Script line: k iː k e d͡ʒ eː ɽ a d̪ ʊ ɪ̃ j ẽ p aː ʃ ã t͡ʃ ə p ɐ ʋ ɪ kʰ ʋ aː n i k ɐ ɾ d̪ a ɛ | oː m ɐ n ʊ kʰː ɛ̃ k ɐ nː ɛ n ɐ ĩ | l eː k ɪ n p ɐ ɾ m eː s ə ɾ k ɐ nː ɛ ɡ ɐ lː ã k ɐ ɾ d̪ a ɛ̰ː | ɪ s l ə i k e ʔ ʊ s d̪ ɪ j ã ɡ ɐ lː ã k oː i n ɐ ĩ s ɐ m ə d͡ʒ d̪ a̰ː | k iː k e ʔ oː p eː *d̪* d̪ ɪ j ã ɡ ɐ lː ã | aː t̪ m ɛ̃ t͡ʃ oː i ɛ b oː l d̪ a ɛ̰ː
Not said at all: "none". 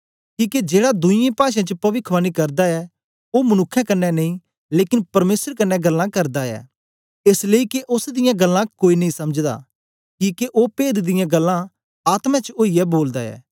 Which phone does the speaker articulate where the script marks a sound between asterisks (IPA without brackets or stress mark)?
d̪